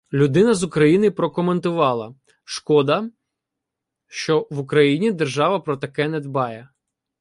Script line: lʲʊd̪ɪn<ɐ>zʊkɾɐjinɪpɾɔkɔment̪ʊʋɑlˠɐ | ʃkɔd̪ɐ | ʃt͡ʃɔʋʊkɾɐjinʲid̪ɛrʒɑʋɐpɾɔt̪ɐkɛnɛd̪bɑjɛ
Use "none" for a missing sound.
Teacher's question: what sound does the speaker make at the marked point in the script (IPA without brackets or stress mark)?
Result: ɐ